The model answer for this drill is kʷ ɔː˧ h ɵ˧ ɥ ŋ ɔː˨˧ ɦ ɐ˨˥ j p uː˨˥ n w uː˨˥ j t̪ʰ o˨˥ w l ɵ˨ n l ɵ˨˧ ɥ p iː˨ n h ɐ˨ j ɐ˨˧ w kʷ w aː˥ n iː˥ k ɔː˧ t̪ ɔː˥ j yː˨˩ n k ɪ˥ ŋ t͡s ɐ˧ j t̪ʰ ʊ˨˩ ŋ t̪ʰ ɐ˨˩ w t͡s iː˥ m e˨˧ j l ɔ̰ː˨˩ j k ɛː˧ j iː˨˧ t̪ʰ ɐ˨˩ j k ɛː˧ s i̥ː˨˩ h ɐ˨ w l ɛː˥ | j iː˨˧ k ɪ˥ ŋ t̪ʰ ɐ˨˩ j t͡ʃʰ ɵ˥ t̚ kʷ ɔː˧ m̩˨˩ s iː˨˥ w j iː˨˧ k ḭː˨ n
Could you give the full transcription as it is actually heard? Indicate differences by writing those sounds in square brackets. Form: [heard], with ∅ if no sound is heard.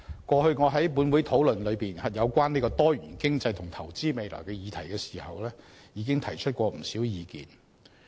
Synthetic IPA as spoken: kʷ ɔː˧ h ɵ˧ ɥ ŋ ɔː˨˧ ɦ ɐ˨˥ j p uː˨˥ n w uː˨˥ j t̪ʰ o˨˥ w l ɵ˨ n l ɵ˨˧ ɥ p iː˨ n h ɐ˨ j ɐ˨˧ w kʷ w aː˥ n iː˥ k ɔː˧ t̪ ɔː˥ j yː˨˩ n k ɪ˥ ŋ t͡s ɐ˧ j t̪ʰ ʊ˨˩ ŋ t̪ʰ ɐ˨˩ w t͡s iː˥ m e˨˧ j l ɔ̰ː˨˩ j k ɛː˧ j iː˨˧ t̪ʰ ɐ˨˩ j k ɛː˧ s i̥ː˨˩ h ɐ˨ w l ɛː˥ | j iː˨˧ k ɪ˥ ŋ t̪ʰ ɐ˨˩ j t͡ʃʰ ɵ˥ t̚ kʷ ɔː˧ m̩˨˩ s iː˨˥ w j iː˨˧ k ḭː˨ n

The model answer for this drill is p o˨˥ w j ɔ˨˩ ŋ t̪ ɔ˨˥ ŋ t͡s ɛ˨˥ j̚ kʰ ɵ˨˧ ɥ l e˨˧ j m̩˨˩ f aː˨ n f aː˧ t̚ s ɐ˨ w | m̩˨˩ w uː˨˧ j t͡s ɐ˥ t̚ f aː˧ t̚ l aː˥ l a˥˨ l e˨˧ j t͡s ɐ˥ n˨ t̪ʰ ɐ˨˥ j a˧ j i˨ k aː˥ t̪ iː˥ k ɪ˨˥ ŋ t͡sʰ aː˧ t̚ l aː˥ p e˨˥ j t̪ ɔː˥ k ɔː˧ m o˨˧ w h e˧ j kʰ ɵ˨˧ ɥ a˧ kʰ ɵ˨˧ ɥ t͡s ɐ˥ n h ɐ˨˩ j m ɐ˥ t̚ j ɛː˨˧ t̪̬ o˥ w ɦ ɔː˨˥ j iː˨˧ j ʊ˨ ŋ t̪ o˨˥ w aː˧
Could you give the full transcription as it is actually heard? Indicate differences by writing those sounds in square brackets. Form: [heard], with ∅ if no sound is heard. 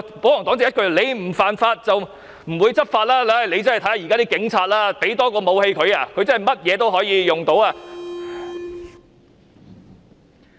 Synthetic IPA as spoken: p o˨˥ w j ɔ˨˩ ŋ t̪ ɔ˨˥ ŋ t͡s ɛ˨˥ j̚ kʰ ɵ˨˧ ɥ l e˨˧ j m̩˨˩ f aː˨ n f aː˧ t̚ [t͡s] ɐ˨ w | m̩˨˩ w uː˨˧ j t͡s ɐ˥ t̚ f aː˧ t̚ l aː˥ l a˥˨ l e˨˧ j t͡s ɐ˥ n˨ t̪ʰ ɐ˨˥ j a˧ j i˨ k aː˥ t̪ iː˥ k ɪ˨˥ ŋ t͡sʰ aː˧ t̚ l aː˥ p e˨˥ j t̪ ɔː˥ k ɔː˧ m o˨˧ w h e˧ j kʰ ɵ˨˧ ɥ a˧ kʰ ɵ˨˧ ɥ t͡s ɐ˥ n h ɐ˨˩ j m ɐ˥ t̚ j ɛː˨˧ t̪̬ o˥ w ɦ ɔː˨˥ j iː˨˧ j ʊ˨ ŋ t̪ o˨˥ w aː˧

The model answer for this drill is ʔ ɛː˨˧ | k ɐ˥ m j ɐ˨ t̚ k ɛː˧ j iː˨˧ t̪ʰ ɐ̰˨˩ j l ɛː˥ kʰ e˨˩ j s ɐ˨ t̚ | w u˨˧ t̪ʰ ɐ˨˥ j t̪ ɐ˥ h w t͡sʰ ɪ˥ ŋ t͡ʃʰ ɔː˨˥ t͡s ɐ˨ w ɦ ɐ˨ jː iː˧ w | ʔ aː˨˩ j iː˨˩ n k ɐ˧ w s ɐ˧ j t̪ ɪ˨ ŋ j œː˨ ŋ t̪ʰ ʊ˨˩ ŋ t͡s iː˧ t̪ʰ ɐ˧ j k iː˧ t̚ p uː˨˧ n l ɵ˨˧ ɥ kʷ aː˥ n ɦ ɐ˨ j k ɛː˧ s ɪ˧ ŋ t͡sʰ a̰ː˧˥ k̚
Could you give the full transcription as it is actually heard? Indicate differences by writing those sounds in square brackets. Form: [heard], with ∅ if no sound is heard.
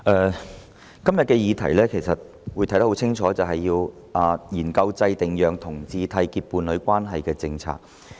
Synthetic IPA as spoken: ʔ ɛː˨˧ | k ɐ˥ m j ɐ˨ t̚ k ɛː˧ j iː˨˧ t̪ʰ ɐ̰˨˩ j l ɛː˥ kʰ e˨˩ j s ɐ˨ t̚ | w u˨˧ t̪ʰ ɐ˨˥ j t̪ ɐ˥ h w t͡sʰ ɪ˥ ŋ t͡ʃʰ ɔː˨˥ t͡s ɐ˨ w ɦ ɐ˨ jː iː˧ w | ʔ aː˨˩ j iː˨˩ n k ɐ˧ w [t͡s] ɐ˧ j t̪ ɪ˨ ŋ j œː˨ ŋ t̪ʰ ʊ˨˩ ŋ t͡s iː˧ t̪ʰ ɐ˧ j k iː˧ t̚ p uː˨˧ n l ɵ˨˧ ɥ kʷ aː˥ n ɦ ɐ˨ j k ɛː˧ [t͡s] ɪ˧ ŋ t͡sʰ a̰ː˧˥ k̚

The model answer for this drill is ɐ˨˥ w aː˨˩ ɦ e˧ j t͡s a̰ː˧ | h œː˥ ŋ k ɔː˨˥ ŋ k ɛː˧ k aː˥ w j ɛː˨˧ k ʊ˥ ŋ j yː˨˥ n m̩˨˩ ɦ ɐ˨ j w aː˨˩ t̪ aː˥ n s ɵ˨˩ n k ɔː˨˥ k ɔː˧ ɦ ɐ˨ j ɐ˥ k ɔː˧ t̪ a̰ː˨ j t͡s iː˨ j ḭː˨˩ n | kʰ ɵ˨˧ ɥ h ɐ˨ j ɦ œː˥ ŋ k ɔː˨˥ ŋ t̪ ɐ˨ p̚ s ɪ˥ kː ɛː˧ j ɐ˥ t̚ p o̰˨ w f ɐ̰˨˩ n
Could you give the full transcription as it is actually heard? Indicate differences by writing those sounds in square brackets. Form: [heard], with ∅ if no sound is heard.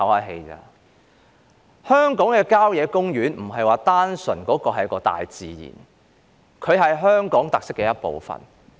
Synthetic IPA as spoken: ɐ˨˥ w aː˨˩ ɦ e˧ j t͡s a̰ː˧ | h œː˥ ŋ k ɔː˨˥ ŋ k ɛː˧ k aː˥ w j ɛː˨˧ k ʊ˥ ŋ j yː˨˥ n m̩˨˩ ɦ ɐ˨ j w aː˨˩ t̪ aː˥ n s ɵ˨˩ n k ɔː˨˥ k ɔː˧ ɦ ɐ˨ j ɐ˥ k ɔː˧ t̪ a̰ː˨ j t͡s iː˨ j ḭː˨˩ n | kʰ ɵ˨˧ ɥ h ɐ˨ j ɦ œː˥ ŋ k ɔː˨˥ ŋ t̪ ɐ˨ [k̚] s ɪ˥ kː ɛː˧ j ɐ˥ t̚ p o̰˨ w f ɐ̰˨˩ n

